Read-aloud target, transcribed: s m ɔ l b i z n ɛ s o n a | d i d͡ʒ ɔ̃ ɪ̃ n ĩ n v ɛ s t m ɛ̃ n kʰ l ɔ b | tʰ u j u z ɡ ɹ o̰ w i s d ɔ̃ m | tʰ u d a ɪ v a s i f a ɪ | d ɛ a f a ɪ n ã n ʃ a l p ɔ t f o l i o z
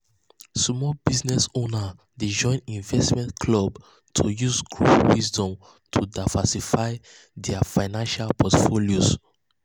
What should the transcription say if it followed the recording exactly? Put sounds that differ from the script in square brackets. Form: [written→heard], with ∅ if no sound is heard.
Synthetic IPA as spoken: s m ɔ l b i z n ɛ s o n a | d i d͡ʒ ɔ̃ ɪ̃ n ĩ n v ɛ s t m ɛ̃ n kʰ l ɔ b | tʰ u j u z ɡ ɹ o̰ w i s d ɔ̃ m | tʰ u d a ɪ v a s i f a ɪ | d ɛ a f a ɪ n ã n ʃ a l p ɔ t f o l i o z